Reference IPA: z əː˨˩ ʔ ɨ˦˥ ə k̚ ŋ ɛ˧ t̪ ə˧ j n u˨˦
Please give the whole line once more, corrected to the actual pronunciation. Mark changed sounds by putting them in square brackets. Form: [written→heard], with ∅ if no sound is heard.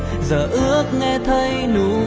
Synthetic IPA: z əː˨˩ ʔ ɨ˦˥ ə k̚ ŋ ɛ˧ [t̪→t̪ʰ] ə˧ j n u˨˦